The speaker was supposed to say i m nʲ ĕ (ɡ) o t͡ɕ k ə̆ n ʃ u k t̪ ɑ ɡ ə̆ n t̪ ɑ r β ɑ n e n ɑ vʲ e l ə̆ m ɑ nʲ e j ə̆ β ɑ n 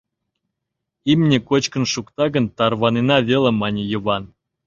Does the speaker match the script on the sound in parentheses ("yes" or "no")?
no